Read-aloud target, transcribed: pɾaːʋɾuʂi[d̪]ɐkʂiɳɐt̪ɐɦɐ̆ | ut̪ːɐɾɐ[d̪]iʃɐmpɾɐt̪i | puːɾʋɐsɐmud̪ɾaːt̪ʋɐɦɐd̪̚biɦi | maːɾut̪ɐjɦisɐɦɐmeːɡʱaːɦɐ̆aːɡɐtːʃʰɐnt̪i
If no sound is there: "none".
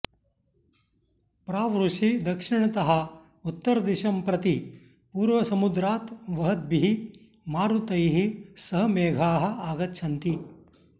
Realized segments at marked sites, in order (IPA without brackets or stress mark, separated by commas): d̪, d̪